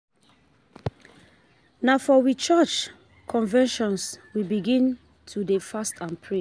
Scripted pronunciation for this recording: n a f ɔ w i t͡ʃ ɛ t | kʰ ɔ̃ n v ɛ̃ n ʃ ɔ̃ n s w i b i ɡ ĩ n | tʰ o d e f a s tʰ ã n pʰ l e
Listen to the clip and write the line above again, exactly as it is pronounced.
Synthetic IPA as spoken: n a f ɔ w i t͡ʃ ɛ t͡ʃ | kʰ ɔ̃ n v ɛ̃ n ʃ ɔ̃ n s w i b i ɡ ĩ n | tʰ u d e f a s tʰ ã n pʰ ɹ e